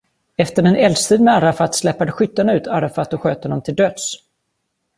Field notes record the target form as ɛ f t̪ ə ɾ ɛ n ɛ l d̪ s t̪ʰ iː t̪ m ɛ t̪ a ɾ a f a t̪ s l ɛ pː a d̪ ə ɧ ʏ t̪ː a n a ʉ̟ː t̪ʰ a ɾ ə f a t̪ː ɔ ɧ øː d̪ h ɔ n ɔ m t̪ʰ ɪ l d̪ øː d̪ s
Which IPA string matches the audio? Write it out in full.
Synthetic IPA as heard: ɛ f t̪ ə ɾ ɛ n ɛ l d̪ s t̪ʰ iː d̪ m ɛ a ɾ a f a t̪ s l ɛ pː a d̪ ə ɧ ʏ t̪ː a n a ʉ̟ː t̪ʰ a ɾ a f a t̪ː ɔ ɧ øː t̪ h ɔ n ɔ m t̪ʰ ɪ l d̪ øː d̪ s